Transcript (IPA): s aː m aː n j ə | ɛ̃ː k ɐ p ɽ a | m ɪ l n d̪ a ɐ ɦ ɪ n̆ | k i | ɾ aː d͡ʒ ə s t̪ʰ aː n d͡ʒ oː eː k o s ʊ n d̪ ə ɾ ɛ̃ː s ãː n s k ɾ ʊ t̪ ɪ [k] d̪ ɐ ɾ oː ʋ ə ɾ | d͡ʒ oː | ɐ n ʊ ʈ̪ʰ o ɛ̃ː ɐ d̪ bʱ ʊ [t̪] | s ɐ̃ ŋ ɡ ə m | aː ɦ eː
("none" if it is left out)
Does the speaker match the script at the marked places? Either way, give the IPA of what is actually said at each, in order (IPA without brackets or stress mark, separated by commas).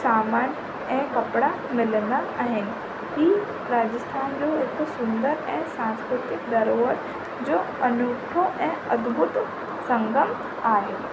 k, t̪